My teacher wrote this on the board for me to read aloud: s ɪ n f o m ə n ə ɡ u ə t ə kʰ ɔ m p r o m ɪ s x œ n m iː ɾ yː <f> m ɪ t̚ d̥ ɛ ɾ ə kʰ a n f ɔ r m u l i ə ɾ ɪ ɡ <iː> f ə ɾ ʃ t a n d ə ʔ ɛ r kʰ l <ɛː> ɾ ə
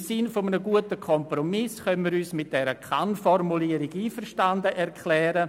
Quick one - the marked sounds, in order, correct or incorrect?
incorrect, correct, correct

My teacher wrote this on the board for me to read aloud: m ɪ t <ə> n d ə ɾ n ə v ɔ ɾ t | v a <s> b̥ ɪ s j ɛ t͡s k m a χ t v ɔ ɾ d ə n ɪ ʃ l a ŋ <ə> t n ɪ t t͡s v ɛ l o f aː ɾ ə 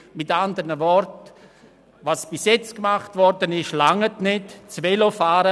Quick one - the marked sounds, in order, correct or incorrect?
incorrect, correct, correct

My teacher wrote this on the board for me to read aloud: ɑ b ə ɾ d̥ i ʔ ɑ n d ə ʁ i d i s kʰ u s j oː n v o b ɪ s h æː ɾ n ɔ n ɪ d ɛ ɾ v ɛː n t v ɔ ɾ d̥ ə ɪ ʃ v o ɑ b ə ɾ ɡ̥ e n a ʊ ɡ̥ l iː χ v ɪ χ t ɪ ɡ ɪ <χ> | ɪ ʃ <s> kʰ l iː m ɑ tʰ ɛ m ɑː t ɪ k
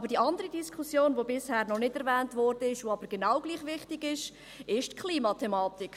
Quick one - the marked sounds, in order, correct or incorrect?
incorrect, incorrect

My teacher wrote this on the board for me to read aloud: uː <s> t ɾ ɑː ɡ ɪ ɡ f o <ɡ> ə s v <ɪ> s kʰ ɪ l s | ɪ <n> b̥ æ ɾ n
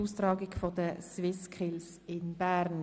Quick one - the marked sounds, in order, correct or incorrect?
correct, incorrect, correct, correct

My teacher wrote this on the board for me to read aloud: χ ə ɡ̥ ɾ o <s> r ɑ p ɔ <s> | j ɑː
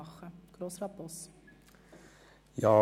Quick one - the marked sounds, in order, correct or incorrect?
correct, correct

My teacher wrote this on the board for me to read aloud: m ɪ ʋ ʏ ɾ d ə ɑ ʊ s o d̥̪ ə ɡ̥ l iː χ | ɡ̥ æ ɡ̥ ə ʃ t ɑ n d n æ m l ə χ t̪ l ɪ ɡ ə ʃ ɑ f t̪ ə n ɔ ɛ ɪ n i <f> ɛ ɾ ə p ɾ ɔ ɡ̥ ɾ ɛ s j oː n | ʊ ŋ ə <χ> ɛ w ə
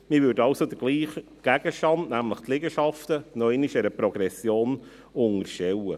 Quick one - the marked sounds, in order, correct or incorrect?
incorrect, incorrect

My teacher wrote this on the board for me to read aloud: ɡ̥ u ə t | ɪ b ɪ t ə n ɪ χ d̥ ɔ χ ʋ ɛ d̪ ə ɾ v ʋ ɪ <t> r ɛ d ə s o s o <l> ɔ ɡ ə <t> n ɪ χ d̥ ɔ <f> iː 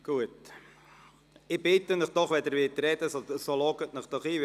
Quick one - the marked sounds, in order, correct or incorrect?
correct, correct, correct, incorrect

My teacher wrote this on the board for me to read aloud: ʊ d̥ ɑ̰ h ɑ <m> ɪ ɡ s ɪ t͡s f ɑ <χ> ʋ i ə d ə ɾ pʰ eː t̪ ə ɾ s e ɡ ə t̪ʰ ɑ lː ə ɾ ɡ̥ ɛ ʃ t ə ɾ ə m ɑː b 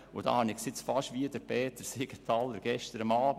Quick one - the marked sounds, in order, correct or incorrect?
incorrect, incorrect

